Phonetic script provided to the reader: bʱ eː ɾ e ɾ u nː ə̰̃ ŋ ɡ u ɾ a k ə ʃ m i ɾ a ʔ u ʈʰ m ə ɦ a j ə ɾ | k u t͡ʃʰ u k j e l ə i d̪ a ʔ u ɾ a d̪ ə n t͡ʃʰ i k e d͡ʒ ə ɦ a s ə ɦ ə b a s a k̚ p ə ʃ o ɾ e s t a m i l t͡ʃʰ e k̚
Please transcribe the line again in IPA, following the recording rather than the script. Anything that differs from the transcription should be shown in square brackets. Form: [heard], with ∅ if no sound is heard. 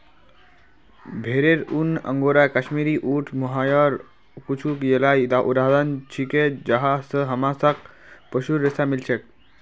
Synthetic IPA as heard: bʱ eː ɾ e ɾ u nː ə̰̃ ŋ ɡ [o] ɾ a k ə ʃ m i ɾ [i] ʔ u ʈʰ m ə ɦ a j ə ɾ | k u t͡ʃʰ u k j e l [a] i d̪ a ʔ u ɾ a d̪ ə n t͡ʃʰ i k e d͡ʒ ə ɦ a s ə ɦ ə [m] a s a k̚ p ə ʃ [u] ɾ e s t a m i l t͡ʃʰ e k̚

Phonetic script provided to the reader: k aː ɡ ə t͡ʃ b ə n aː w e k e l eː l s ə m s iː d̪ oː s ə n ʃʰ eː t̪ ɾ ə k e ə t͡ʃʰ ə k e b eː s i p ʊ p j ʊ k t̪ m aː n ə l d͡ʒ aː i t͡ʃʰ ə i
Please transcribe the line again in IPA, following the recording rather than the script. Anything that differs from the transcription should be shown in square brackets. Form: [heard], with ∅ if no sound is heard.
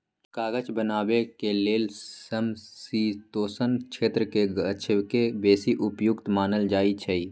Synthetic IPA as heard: k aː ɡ ə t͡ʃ b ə n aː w e k e l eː l s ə m s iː [t̪] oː s ə n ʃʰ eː t̪ ɾ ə k e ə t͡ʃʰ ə k e b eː s i [ʔ] ʊ p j ʊ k t̪ m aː n ə l d͡ʒ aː i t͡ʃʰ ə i

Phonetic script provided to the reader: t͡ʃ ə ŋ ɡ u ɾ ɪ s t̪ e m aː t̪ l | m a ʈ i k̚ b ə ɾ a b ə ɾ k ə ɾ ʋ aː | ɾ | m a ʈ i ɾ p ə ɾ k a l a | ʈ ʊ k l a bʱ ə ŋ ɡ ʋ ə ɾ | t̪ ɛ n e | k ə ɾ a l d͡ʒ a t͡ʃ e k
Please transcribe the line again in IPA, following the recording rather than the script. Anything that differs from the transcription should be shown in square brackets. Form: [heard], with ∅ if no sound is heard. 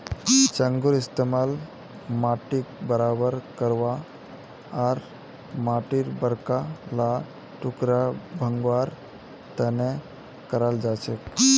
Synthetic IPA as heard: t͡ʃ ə ŋ ɡ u ɾ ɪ s t̪ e m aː [∅] l | m a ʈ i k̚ b ə ɾ a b ə ɾ k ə ɾ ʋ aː | ɾ | m a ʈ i ɾ [b] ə ɾ k a l a | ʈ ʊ k [ɾ] a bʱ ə ŋ ɡ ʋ [a] ɾ | t̪ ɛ n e | k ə ɾ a l d͡ʒ a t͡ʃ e k

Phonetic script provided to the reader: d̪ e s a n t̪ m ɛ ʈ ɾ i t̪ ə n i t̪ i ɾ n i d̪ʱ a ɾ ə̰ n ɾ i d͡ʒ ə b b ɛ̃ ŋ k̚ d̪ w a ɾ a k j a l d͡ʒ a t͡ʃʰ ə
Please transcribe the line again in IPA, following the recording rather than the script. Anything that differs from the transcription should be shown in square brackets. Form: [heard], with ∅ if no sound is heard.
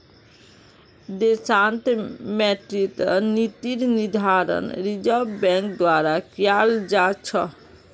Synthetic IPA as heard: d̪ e s a n t̪ m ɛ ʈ ɾ i t̪ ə n i t̪ i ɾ n i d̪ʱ a ɾ ə̰ n ɾ i d͡ʒ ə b b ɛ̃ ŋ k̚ d̪ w a ɾ a k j a l d͡ʒ a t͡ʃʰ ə

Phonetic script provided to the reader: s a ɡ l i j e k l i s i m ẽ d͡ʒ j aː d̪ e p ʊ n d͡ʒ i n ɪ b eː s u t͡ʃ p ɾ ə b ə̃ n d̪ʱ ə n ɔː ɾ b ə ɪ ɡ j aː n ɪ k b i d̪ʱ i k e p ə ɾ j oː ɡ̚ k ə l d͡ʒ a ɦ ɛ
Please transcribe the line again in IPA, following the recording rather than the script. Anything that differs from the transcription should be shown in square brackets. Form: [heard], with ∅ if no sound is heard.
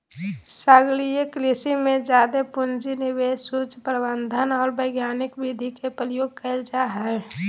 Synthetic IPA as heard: s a ɡ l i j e k l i s i m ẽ d͡ʒ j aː d̪ e p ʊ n d͡ʒ i n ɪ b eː s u t͡ʃ p ɾ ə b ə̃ n d̪ʱ ə n ɔː ɾ b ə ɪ ɡ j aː n ɪ k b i d̪ʱ i k e p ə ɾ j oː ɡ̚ k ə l d͡ʒ a ɦ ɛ

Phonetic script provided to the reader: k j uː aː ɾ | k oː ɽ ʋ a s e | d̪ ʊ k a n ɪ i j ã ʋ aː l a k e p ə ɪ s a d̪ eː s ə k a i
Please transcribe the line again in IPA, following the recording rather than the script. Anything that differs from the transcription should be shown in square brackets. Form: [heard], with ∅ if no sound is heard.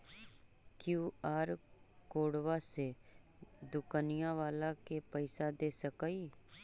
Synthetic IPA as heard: k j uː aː ɾ | k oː ɽ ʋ a s e | d̪ ʊ k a n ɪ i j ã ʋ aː l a k e p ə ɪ s a d̪ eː s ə k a i

